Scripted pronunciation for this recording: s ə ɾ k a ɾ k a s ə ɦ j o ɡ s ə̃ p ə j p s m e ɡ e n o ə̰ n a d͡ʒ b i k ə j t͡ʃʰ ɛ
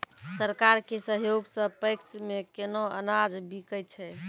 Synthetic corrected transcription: s ə ɾ k a ɾ k e s ə ɦ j o ɡ s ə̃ p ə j k s m e k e n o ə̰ n a d͡ʒ b i k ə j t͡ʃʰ ɛ